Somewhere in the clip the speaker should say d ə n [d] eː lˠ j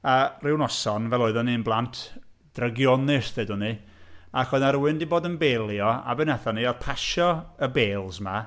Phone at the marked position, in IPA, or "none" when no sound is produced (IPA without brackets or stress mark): b